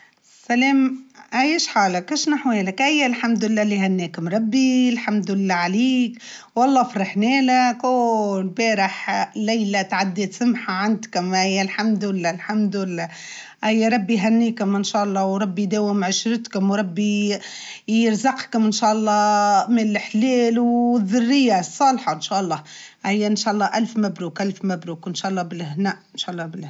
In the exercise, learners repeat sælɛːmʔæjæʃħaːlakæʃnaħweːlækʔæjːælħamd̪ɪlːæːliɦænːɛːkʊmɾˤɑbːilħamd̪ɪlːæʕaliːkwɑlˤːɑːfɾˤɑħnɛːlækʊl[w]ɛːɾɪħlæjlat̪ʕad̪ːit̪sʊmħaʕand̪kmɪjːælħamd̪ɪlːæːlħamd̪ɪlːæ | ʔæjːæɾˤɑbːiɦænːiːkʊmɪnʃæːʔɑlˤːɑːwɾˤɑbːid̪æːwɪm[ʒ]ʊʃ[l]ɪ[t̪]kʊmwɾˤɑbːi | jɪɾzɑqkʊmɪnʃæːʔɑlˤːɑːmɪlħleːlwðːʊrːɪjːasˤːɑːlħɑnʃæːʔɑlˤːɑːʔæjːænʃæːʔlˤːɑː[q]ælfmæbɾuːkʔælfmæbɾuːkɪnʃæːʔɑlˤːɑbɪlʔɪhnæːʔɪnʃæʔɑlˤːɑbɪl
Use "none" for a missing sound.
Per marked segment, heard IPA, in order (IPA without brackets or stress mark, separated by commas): b, ʕ, ɾ, t̪, ʔ